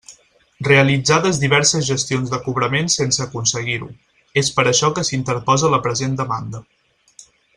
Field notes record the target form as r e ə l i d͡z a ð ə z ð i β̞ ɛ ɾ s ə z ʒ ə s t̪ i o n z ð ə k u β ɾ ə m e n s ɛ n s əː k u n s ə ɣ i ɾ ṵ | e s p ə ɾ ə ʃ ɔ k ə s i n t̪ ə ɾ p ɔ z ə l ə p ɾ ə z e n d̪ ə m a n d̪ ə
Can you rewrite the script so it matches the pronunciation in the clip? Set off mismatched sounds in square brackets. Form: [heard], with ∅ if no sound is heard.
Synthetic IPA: r e ə l i d͡z a ð ə z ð i β̞ ɛ ɾ s ə z ʒ ə s t̪ i o n z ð ə k u β ɾ ə m e n s [e] n s əː k u n s ə ɣ i ɾ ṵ | e s p ə ɾ ə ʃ ɔ k ə s i n t̪ ə ɾ p ɔ z ə l ə p ɾ ə z e n d̪ ə m a n d̪ ə